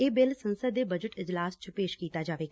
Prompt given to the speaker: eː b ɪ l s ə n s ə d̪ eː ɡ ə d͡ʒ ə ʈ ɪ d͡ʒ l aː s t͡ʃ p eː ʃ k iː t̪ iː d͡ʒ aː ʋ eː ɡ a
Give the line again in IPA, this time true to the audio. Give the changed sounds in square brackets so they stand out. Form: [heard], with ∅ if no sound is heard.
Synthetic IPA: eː b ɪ l s ə n s ə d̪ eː [b] ə d͡ʒ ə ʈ ɪ d͡ʒ l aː s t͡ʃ p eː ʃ k iː t̪ [aː] d͡ʒ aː ʋ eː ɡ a